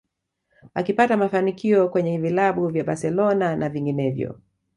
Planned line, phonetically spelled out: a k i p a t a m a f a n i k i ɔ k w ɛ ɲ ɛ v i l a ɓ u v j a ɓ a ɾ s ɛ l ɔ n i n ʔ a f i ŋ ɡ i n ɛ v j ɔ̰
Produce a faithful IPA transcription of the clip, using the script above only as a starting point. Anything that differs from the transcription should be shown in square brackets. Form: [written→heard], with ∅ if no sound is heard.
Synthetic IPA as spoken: a k i p a t a m a f a n i k i ɔ k w ɛ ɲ ɛ v i l a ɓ u v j a ɓ a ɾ s ɛ l ɔ n [i→a] n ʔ a [f→v] i ŋ ɡ i n ɛ v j ɔ̰